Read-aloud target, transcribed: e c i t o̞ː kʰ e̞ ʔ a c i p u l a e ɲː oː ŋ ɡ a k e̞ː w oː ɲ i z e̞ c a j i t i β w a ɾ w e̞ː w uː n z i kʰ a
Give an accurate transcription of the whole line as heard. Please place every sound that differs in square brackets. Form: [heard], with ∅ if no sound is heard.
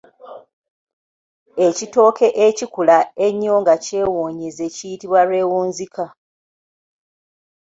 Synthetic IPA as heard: e c i t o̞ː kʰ e̞ ʔ [e] c i [k] u l a e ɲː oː ŋ ɡ a [c] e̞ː w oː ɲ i z e̞ c [i] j i t i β w a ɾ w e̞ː w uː n z i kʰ a